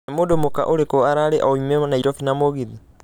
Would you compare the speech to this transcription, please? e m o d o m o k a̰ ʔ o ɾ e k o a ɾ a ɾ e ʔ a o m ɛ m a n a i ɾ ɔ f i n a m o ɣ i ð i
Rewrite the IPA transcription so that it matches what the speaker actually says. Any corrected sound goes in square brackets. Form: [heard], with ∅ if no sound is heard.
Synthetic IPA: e m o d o m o k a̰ ʔ o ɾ e k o a ɾ a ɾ e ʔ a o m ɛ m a n a i ɾ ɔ f i n a m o ɣ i ð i